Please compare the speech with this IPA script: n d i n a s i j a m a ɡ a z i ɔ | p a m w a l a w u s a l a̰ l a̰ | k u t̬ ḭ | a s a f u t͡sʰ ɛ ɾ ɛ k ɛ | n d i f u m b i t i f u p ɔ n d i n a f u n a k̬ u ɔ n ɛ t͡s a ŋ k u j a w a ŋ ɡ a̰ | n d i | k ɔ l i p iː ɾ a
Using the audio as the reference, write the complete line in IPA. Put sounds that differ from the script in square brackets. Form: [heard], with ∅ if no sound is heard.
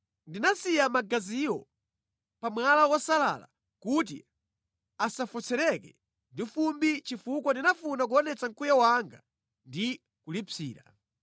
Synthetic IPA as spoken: n d i n a s i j a m a ɡ a z i ɔ | p a m w a l a w [ɔ] s a l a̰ l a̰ | k u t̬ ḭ | a s a f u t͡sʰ ɛ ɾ ɛ k ɛ | n d i f u m b i [t͡ʃ] i f u [k] ɔ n d i n a f u n a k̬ u ɔ n ɛ t͡s a ŋ k u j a w a ŋ ɡ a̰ | n d i | k [u] l i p iː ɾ a